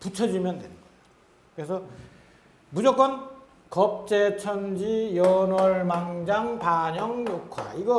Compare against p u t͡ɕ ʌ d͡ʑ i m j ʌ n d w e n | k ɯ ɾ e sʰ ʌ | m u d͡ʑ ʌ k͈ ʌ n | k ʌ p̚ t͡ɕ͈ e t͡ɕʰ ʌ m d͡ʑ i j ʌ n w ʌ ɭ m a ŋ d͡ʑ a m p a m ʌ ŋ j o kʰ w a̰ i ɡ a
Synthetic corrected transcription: p u t͡ɕʰ ʌ d͡ʑ i m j ʌ n d w e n | k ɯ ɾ e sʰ ʌ | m u d͡ʑ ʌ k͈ ʌ n | k ʌ p̚ t͡ɕ͈ e t͡ɕʰ ʌ n d͡ʑ i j ʌ n w ʌ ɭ m a ŋ d͡ʑ a ŋ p a ɲ ʌ ŋ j o kʰ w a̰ i ɡ ʌ